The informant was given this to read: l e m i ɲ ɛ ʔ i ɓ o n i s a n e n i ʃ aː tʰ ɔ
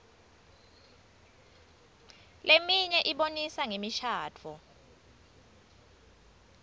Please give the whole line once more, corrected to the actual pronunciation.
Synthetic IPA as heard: l e m i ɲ ɛ ʔ i ɓ o n i s a ŋ e m i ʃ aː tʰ ɔ